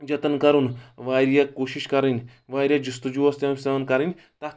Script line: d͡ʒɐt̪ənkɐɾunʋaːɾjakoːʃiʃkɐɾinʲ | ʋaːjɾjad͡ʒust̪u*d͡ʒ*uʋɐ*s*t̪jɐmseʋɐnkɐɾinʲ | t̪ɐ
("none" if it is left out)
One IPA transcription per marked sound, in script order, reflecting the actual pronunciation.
d͡ʒ, s

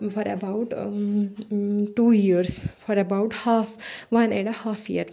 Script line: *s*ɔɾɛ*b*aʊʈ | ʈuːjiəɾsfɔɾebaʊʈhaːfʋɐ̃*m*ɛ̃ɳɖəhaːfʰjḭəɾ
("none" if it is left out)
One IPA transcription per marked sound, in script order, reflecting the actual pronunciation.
f, b, n

